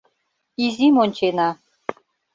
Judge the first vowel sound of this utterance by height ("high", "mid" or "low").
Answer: high